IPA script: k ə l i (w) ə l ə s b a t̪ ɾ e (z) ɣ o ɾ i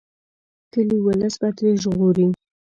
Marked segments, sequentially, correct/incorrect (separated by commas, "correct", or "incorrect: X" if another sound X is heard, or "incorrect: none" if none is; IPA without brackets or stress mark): correct, incorrect: ʒ